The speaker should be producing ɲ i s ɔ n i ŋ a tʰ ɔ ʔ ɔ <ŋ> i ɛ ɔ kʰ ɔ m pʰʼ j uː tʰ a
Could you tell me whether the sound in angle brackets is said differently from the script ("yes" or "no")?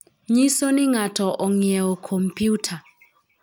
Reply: no